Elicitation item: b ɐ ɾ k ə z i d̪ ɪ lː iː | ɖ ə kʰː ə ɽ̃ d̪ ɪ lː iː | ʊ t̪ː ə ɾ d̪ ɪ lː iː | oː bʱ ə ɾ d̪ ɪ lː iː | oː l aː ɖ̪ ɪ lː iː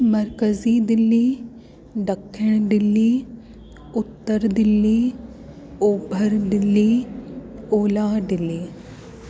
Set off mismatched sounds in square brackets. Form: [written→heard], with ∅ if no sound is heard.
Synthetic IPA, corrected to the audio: [b→m] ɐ ɾ k ə z i d̪ ɪ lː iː | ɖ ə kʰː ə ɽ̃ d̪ ɪ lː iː | ʊ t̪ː ə ɾ d̪ ɪ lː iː | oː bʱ ə ɾ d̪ ɪ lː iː | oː l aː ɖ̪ ɪ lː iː